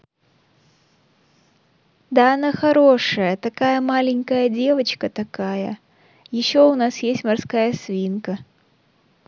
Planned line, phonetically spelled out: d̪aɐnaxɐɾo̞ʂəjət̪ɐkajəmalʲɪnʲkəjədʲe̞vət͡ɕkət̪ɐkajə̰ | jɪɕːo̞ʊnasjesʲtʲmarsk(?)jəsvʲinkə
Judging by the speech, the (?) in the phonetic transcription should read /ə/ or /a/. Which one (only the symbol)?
a